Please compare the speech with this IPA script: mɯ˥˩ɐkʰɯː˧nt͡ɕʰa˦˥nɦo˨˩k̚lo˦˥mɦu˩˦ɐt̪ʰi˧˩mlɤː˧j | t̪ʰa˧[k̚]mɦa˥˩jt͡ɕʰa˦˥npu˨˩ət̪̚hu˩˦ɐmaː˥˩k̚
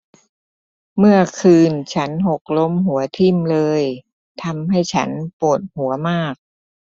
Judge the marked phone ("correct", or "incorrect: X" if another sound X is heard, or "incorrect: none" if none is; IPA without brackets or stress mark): incorrect: none